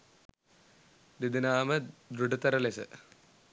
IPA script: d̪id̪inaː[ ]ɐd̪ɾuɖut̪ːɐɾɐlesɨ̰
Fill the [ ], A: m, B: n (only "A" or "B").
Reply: A